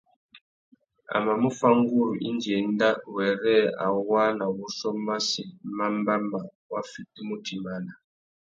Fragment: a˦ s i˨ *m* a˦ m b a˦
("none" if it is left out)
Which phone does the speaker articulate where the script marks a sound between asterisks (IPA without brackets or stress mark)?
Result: m